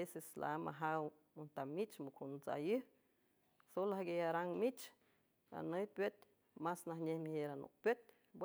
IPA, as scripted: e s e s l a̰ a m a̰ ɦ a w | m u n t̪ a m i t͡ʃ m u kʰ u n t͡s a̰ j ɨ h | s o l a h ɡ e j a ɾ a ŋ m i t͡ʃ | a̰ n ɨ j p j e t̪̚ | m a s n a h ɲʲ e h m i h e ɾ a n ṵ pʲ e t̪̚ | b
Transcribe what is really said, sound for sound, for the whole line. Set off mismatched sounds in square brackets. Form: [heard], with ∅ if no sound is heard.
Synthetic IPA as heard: e s e s l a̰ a m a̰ ɦ a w | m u n t̪ a m i t͡ʃ m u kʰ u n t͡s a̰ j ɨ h | s o l a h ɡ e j a ɾ a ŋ m i t͡ʃ | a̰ n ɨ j p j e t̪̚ | m a s n a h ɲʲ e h m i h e ɾ a n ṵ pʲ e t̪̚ | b